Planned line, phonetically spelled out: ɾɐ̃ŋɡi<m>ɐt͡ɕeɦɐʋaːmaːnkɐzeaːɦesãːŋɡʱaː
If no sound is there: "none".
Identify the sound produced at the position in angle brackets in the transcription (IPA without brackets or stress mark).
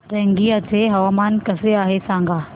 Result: none